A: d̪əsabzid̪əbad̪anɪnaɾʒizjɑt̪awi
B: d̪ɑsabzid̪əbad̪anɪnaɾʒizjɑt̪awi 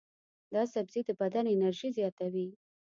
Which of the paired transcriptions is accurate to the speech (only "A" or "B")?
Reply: B